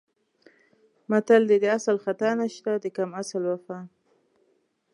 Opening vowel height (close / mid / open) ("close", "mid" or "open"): open